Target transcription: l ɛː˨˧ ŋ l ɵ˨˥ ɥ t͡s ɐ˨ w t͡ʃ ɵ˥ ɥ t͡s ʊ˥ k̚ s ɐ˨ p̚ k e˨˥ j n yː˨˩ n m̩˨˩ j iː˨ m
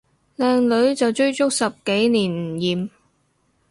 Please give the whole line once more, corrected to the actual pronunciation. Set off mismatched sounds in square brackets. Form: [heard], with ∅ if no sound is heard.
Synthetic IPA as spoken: l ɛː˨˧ ŋ l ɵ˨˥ ɥ t͡s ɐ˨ w t͡ʃ ɵ˥ ɥ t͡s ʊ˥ k̚ s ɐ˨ p̚ k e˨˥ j n [iː˨˩] n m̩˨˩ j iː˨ m